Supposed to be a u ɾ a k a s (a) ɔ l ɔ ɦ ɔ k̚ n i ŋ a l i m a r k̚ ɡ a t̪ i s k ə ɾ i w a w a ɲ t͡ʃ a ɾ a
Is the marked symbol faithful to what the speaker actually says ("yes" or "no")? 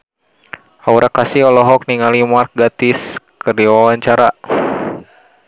no